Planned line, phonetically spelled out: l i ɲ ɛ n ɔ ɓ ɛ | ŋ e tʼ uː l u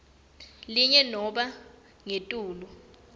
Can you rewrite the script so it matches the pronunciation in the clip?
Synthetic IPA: l i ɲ ɛ n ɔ ɓ a | ŋ e tʼ uː l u